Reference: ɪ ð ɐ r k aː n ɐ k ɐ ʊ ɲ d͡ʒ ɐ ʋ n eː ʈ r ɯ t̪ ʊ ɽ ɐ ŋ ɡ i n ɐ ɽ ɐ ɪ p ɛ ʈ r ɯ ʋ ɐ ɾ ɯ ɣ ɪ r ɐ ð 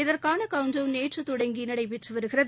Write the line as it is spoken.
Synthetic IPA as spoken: ɪ ð ɐ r k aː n ɐ k ɐ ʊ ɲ d͡ʒ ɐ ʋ n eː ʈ r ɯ t̪ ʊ ɽ ɐ ŋ ɡ i n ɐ ɽ ɐ ɪ p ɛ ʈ r ɯ ʋ ɐ ɾ ɯ ɣ ɪ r ɐ ð

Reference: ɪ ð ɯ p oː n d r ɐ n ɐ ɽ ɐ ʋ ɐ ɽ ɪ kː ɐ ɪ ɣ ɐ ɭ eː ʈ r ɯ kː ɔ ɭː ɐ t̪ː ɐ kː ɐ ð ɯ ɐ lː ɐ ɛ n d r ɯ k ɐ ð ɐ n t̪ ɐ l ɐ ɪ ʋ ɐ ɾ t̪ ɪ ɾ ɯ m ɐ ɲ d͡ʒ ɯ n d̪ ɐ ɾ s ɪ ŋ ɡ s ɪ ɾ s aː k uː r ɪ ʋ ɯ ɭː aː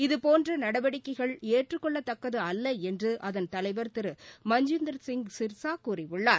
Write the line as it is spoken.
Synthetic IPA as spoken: ɪ ð ɯ p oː n d r ɐ n ɐ ɽ ɐ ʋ ɐ ɽ ɪ kː ɐ ɪ ɣ ɐ ɭ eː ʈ r ɯ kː ɔ ɭː ɐ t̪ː ɐ kː ɐ ð ɯ ɐ lː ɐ ɛ n d r ɯ ʔ ɐ ð ɐ n t̪ ɐ l ɐ ɪ ʋ ɐ ɾ t̪ ɪ ɾ ɯ m ɐ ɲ d͡ʒ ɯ n d̪ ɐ ɾ s ɪ ŋ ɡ s ɪ ɾ s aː k uː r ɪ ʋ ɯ ɭː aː

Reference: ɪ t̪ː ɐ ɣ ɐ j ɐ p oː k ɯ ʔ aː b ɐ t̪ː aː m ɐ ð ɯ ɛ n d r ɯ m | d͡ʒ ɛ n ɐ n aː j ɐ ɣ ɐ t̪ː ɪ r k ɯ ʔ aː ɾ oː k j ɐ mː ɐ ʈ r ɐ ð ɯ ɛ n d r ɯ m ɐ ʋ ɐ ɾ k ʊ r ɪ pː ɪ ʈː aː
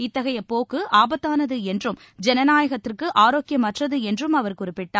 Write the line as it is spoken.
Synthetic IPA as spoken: ɪ t̪ː ɐ ɣ ɐ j ɐ p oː k ɯ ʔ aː b ɐ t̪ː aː n ɐ ð ɯ ɛ n d r ɯ m | d͡ʒ ɛ n ɐ n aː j ɐ ɣ ɐ t̪ː ɪ r k ɯ ʔ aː ɾ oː k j ɐ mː ɐ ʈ r ɐ ð ɯ ɛ n d r ɯ m ɐ ʋ ɐ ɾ k ʊ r ɪ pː ɪ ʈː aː

